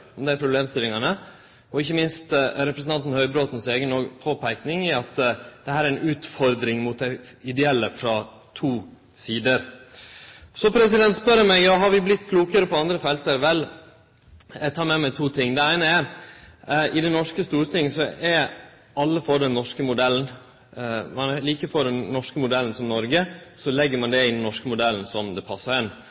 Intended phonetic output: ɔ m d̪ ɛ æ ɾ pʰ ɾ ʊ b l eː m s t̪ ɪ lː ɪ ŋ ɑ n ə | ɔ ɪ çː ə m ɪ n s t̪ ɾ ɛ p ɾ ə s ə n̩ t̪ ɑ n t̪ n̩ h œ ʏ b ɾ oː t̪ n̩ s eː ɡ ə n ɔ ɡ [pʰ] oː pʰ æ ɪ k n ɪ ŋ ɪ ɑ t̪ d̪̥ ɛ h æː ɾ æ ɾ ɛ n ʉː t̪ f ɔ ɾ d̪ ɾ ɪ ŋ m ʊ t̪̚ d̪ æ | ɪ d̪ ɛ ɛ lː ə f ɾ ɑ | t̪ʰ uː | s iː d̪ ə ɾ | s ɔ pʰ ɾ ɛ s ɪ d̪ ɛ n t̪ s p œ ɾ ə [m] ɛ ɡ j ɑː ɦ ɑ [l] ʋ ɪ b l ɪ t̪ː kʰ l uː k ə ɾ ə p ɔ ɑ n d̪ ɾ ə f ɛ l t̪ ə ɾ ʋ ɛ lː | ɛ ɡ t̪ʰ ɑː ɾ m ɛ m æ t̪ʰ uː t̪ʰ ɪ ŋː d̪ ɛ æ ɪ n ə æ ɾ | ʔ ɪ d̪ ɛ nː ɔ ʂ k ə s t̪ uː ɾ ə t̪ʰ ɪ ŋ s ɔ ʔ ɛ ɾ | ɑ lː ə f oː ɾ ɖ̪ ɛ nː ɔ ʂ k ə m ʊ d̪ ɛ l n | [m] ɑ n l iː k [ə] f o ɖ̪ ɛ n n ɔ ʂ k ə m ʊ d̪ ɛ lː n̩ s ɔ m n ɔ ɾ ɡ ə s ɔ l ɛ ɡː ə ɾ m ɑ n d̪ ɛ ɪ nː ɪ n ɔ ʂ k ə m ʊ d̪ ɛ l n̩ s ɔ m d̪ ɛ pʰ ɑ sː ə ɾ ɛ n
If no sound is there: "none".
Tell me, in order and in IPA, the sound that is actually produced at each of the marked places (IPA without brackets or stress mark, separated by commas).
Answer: pʰ, m, ɾ, m, ə